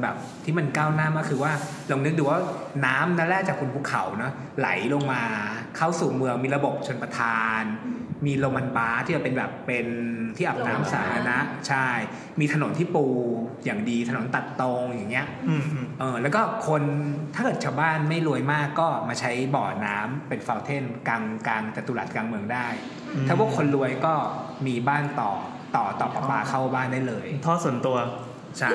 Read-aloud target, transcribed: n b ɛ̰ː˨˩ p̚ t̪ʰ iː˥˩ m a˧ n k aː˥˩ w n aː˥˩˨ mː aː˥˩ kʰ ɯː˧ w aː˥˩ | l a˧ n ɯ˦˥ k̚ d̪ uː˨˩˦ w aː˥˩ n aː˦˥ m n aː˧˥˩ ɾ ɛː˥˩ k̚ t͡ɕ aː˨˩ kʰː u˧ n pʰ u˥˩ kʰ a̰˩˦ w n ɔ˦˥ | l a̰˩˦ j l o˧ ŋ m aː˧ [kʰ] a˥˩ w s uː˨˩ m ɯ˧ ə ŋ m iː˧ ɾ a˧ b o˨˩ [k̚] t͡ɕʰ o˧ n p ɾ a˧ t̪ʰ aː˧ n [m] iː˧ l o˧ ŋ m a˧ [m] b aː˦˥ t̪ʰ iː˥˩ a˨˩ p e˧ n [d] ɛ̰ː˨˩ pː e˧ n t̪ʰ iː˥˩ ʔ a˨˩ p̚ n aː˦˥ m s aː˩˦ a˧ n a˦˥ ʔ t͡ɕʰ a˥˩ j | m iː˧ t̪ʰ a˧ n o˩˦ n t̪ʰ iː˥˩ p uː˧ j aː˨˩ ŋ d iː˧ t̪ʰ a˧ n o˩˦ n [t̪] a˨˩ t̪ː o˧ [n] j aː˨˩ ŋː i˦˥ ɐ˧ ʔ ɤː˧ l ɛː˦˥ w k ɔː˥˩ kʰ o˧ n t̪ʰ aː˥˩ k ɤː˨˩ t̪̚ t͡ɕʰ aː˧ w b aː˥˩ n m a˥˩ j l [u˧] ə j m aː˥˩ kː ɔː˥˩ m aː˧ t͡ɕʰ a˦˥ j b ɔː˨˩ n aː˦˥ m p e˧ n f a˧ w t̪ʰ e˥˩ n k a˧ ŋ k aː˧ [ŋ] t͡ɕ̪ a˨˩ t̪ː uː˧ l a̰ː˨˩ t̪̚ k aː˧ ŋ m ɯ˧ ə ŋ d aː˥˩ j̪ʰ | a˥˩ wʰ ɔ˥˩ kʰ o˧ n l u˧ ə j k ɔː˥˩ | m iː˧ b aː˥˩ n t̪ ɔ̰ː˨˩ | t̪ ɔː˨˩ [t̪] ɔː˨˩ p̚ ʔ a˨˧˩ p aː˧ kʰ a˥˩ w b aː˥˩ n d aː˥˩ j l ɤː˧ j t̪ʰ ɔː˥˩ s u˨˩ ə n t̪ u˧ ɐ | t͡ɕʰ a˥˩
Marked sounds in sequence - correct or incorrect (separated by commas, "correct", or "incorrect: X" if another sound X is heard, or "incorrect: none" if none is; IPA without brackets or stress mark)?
correct, incorrect: p̚, correct, incorrect: n, incorrect: b, correct, incorrect: ŋ, correct, correct, correct